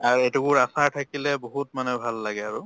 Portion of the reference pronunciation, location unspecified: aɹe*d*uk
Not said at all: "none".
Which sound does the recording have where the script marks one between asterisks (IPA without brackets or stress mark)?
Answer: t